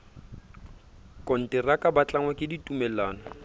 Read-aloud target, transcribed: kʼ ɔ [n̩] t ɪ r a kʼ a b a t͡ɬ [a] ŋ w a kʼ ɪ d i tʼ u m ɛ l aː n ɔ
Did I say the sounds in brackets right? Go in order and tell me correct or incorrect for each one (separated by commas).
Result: correct, correct